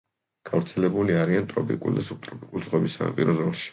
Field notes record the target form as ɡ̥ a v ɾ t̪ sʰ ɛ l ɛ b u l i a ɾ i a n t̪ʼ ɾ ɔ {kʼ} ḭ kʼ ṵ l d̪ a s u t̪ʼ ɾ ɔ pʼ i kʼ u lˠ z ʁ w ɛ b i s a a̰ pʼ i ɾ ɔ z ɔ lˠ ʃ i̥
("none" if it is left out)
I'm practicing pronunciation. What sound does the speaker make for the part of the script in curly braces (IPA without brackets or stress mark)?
pʼ